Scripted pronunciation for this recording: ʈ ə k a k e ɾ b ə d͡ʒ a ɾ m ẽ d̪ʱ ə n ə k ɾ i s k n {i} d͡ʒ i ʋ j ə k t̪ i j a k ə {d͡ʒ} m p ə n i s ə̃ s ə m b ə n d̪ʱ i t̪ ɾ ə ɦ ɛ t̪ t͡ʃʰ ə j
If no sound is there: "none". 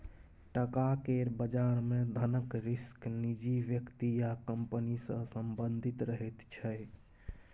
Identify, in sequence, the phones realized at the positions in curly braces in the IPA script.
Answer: i, none

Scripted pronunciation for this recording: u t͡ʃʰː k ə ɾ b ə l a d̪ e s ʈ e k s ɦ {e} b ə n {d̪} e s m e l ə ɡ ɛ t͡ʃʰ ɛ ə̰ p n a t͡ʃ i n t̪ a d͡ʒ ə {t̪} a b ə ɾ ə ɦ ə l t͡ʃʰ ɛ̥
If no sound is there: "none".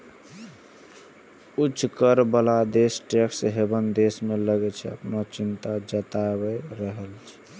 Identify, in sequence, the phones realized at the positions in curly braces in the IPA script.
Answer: e, d̪, t̪

